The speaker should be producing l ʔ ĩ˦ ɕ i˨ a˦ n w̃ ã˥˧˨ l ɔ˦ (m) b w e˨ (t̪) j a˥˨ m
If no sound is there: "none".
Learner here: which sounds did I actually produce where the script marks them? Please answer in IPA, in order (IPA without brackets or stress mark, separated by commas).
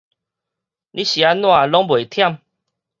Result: ŋ, t̪ʰ